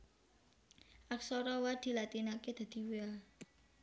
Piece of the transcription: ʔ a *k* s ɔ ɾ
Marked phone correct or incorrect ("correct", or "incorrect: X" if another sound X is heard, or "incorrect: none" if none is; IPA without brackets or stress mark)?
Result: correct